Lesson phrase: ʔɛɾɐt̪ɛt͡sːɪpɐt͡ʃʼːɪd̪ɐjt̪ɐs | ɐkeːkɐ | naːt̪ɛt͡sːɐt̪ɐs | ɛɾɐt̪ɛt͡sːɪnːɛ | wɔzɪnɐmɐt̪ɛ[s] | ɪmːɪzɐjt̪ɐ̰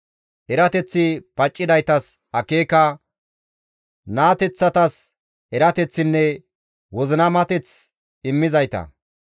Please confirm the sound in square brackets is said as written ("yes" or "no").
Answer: no